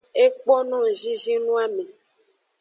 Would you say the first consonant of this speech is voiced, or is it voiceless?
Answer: voiceless